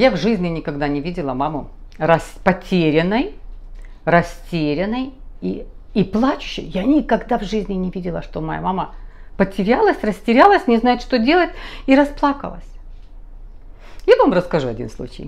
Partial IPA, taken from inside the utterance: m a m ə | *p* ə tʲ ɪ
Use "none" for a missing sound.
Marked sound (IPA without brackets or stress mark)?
p